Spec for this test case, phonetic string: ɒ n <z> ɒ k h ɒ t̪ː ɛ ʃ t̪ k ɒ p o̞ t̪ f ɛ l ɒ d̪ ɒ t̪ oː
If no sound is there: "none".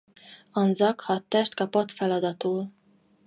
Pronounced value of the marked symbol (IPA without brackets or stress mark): z